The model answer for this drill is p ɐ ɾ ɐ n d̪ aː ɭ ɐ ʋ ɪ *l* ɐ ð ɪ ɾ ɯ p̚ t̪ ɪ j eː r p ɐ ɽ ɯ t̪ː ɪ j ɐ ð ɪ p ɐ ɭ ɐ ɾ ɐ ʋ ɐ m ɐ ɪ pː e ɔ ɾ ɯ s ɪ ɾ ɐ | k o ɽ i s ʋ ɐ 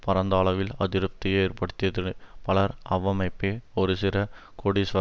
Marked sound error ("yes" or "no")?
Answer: no